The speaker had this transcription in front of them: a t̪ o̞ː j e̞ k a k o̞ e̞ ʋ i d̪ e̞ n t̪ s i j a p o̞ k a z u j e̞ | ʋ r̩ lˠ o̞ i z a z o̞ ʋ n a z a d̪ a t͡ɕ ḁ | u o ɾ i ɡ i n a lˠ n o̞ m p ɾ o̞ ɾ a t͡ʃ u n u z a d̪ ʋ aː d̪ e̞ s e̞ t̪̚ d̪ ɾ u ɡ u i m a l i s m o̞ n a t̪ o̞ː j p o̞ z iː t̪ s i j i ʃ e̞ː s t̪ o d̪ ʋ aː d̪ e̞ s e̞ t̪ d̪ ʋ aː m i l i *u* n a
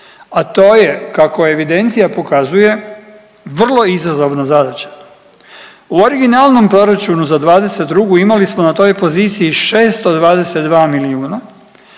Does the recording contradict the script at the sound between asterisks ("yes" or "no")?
yes